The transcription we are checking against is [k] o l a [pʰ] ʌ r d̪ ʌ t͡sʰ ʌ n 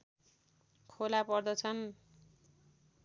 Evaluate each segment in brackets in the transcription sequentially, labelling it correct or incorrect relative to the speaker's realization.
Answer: incorrect: kʰ, incorrect: p

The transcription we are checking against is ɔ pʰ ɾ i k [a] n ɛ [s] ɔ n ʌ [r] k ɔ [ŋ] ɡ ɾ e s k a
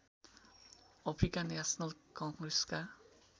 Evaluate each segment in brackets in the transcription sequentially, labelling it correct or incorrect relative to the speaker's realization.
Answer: correct, correct, incorrect: l, correct

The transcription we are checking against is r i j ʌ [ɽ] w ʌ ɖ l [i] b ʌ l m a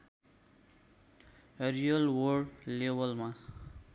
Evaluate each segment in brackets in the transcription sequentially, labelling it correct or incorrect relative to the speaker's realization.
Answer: incorrect: l, incorrect: e

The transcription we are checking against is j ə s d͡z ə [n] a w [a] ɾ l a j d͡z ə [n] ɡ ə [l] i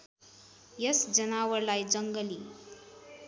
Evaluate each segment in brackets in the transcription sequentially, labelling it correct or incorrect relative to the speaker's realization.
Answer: correct, incorrect: ə, incorrect: ŋ, correct

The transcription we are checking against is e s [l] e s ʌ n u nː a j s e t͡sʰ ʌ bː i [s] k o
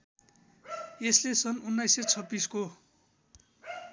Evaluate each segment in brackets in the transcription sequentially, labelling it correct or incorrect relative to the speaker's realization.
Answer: correct, correct

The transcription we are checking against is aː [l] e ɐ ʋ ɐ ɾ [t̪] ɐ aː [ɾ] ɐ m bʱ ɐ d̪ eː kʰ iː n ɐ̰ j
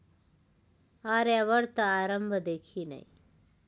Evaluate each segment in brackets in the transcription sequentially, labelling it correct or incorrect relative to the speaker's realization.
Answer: incorrect: ɾ, correct, correct

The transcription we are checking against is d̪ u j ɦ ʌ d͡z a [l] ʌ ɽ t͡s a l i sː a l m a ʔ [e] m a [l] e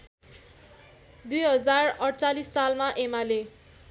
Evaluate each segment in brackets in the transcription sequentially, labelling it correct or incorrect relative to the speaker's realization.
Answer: incorrect: r, correct, correct

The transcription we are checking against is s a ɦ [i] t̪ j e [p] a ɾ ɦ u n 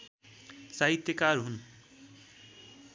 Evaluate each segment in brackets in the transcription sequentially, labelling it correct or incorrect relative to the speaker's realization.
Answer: correct, incorrect: k

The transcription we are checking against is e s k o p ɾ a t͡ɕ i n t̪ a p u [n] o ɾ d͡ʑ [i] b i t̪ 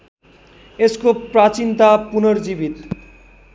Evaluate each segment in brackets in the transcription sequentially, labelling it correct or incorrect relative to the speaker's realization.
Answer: correct, correct

